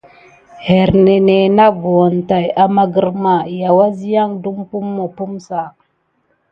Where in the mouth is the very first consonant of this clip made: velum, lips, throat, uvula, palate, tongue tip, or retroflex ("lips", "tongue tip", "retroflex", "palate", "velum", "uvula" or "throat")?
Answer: throat